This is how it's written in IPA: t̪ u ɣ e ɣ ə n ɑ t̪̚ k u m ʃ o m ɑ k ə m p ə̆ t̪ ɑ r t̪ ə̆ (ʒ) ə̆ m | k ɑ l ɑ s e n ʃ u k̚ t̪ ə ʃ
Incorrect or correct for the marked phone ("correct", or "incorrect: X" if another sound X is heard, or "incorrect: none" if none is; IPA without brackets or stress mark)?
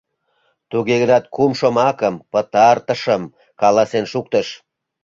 incorrect: ʃ